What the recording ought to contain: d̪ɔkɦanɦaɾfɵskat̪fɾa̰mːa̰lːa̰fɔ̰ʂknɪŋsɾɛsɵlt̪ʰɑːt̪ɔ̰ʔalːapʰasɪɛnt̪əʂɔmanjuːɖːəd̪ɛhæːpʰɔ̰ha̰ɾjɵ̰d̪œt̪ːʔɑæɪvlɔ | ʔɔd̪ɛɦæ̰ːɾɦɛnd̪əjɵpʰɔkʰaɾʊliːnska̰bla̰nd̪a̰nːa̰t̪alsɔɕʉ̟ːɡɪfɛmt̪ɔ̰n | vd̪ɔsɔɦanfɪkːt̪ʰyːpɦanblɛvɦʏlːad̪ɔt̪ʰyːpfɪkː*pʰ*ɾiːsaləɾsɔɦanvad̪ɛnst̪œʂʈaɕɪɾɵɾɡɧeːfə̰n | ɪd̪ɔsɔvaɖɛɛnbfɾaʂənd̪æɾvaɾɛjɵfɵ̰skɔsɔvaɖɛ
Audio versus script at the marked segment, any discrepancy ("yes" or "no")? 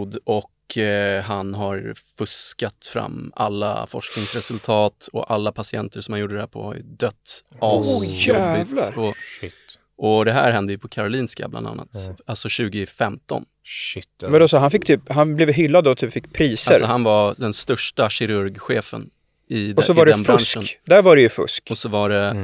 no